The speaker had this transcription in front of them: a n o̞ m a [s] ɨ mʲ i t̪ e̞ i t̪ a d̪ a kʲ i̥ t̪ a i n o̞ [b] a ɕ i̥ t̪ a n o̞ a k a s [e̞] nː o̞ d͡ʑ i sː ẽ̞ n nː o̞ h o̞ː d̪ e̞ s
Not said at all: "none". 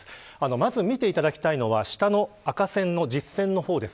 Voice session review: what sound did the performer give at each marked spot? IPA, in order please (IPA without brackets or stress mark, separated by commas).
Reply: z, β, ẽ̞